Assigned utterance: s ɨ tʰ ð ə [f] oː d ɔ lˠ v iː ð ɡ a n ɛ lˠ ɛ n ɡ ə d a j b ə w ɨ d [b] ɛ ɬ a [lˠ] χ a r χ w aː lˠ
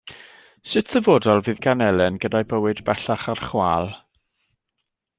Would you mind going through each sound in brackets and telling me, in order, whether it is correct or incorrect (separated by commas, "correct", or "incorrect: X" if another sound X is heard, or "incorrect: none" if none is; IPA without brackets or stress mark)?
incorrect: v, correct, incorrect: none